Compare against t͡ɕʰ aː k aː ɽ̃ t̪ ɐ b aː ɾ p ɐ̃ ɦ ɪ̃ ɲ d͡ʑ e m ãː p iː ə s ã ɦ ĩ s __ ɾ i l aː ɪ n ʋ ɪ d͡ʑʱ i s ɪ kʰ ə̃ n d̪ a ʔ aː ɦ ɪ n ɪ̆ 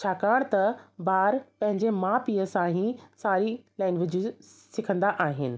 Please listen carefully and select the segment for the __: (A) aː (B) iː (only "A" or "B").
A